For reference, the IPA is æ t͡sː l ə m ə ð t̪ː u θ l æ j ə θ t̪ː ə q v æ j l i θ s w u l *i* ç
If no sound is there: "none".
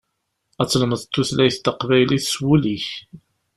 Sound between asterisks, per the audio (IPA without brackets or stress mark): i